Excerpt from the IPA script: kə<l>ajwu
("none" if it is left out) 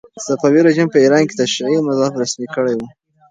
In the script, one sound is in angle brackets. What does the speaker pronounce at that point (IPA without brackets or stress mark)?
ɽ